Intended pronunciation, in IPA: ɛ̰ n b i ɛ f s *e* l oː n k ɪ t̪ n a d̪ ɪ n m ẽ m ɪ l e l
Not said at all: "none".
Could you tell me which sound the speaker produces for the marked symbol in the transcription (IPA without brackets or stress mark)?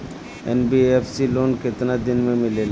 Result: i